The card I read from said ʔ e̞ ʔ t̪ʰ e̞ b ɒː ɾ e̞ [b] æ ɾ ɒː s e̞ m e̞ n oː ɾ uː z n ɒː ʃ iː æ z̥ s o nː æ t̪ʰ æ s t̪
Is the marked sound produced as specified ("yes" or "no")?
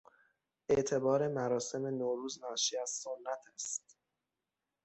no